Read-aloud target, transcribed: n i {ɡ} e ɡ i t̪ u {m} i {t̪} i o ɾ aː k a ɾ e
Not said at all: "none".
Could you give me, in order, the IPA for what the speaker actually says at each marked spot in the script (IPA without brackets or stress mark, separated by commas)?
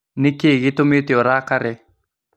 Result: k, m, t̪